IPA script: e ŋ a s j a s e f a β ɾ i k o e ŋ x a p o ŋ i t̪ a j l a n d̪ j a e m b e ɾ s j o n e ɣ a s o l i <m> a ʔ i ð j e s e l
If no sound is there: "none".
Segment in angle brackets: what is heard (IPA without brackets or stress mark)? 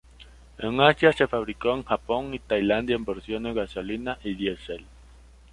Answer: n